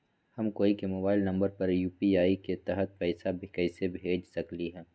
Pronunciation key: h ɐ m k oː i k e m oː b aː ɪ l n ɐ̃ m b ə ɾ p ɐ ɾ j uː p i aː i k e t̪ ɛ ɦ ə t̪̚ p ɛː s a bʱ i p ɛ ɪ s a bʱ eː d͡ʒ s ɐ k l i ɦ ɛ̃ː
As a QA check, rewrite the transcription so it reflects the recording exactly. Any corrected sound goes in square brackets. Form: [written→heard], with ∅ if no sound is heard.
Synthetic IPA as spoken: h ɐ m k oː i k e m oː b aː ɪ l n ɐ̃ m b ə ɾ p ɐ ɾ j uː p i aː i k e t̪ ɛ ɦ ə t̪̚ p ɛː s a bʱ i [p→k] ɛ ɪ s [a→e] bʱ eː d͡ʒ s ɐ k l i ɦ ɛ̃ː

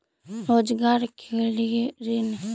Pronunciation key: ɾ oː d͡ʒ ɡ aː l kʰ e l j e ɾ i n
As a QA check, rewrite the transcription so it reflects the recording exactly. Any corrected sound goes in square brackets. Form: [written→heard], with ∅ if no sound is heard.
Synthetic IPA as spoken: ɾ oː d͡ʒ ɡ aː [l→ɾ] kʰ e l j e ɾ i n

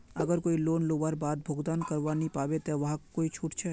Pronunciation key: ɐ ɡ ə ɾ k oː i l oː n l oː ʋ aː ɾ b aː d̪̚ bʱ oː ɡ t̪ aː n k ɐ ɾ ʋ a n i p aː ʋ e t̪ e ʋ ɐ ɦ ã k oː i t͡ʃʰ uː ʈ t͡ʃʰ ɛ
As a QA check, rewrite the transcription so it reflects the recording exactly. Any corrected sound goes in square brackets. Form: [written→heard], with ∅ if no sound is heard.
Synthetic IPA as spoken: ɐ ɡ ə ɾ k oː i l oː n l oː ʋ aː ɾ b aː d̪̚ bʱ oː ɡ [t̪→d̪] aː n k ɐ ɾ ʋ a n i p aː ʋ e t̪ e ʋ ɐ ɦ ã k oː i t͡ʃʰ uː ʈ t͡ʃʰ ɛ

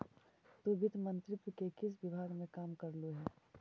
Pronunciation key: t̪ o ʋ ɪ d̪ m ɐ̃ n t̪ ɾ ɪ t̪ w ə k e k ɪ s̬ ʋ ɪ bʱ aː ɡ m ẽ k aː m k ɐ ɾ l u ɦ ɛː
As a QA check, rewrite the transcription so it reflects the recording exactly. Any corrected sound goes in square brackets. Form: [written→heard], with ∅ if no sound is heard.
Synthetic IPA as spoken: t̪ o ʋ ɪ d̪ m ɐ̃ n t̪ ɾ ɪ t̪ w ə k e k ɪ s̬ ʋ ɪ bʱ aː ɡ m ẽ k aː m k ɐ ɾ l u ɦ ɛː

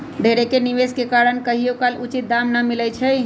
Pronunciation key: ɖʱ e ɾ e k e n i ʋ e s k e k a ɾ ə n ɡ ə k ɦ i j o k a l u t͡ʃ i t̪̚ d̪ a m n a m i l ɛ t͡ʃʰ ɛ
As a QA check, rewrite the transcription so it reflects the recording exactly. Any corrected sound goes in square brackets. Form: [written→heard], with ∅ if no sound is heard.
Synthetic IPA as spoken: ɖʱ e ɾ e k e n i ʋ e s k e k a ɾ ə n [ɡ→k] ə [k→∅] ɦ i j o k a l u t͡ʃ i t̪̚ d̪ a m n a m i l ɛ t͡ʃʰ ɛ

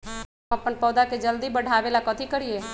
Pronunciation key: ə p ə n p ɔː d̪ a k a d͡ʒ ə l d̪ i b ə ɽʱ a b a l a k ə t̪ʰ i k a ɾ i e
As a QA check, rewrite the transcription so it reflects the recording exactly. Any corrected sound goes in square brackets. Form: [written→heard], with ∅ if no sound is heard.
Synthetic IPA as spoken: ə p ə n p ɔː d̪ a k [a→e] d͡ʒ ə l d̪ i b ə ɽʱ a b [a→e] l a k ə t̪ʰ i k [a→ə] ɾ i e

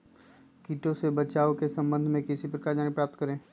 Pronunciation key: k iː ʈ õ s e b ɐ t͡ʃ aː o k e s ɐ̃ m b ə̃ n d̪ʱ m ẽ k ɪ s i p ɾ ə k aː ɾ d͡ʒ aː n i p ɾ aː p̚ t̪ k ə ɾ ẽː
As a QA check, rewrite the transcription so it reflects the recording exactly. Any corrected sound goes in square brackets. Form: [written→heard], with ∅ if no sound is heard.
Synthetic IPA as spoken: k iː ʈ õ s e b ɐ t͡ʃ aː o k e s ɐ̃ m b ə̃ n d̪ʱ m ẽ k ɪ s i p ɾ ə k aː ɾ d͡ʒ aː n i p ɾ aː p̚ t̪ k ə ɾ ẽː

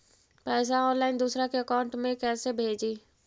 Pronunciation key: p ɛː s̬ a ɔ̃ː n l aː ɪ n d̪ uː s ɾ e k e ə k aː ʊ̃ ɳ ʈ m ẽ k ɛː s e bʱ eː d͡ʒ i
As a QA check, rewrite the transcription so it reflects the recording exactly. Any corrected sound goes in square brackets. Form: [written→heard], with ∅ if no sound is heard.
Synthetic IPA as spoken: p ɛː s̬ a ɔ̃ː n l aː ɪ n d̪ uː s ɾ [e→a] k e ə k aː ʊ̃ ɳ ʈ m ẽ k ɛː s e bʱ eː d͡ʒ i

